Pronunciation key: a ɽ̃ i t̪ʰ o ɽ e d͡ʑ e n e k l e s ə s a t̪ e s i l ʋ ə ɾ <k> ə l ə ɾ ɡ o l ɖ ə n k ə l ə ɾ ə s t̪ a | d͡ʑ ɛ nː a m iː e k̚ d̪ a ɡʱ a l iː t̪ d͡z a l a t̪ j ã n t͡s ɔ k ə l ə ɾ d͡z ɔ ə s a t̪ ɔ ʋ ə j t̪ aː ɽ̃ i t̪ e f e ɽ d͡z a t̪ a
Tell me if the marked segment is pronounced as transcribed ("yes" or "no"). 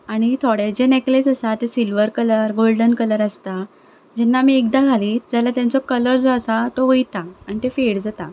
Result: yes